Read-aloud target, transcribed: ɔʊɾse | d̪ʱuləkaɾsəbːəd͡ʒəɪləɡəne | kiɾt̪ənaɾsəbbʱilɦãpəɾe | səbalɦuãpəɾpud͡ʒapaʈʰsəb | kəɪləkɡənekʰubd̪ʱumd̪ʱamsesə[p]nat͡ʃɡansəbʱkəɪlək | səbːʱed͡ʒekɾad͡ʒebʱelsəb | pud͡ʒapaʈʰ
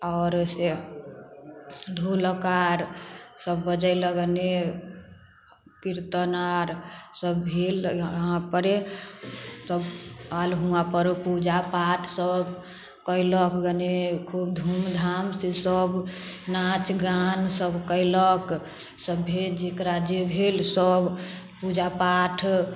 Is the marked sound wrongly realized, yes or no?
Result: yes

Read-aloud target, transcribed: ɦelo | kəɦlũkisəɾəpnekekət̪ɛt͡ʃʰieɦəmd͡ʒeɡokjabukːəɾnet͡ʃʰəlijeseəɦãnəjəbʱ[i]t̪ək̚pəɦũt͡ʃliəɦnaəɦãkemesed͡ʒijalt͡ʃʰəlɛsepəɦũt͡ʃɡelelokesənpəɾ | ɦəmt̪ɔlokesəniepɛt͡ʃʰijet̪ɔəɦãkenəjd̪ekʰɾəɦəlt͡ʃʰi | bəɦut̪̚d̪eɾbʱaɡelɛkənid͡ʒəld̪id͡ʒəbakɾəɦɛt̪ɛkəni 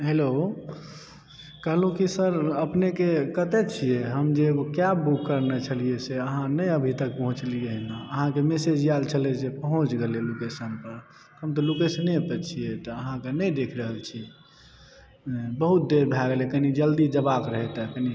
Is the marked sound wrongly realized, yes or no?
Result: no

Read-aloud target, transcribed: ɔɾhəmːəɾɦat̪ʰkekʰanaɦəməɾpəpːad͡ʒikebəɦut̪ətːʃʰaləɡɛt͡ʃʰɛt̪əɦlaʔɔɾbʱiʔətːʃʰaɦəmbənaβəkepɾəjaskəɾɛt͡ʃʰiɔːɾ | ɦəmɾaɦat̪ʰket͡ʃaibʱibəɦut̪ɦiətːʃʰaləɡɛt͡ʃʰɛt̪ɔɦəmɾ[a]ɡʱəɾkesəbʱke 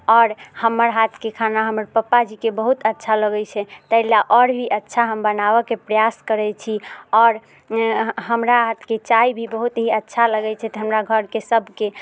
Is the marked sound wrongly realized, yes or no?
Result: no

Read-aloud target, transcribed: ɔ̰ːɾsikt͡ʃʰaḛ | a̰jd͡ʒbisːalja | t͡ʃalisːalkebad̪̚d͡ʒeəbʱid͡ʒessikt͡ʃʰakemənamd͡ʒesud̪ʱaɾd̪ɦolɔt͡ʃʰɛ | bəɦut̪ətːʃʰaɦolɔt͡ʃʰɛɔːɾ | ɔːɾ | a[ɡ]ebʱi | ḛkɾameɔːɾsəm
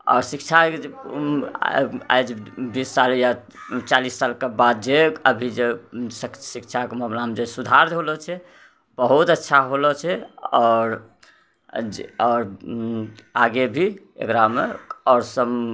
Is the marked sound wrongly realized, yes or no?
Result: no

